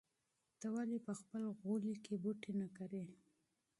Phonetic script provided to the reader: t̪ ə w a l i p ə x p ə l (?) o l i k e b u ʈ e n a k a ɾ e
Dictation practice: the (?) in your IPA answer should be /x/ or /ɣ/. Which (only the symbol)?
ɣ